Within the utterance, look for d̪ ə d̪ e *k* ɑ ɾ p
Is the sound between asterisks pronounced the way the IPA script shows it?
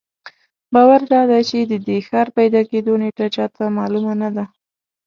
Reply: no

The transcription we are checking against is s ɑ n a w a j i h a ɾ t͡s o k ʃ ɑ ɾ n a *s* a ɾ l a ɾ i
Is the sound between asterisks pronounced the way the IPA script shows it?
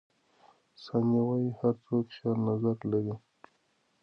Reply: no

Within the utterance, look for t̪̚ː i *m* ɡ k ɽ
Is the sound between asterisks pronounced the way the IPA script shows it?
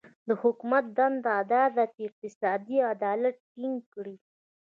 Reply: no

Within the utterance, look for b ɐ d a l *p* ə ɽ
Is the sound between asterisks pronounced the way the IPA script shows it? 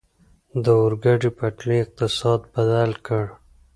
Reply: no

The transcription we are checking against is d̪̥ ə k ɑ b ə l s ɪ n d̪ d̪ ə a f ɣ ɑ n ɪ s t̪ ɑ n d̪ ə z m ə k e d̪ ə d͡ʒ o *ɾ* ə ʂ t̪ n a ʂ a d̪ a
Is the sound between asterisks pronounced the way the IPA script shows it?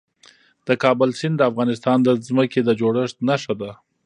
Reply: no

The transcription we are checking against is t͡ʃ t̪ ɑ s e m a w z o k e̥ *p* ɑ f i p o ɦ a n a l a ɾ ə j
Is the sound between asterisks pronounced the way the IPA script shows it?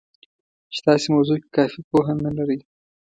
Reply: no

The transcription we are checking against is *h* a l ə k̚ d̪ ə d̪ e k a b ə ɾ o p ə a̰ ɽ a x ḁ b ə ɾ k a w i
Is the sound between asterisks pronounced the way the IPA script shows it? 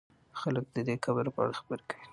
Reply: no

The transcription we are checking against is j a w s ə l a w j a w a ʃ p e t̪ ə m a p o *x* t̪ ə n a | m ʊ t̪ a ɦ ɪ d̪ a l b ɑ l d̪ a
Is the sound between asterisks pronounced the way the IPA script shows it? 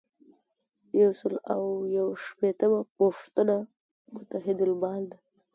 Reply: no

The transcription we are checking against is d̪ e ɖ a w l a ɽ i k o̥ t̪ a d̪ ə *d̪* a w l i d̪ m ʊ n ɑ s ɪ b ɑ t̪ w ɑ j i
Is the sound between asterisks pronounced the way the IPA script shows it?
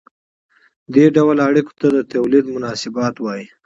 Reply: no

